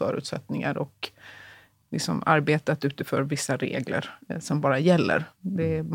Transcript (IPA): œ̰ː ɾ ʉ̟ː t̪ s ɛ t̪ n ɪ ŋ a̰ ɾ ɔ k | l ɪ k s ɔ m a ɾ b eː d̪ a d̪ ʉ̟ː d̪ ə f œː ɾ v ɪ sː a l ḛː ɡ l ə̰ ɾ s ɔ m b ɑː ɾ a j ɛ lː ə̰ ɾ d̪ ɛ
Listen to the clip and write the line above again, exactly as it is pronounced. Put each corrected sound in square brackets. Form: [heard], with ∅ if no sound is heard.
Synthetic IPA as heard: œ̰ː ɾ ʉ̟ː t̪ s ɛ t̪ n ɪ ŋ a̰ ɾ ɔ k | l ɪ k s ɔ m a ɾ b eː [t̪] a [t̪] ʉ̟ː [t̪] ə f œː ɾ v ɪ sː a [ɾ] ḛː ɡ l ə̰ ɾ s ɔ m b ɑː ɾ a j ɛ lː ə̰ ɾ d̪ ɛ